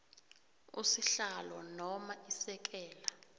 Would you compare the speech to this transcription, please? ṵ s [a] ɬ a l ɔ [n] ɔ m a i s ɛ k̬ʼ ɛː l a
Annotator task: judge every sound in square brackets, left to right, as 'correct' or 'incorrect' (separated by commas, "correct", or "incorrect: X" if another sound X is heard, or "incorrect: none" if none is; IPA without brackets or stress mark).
incorrect: i, correct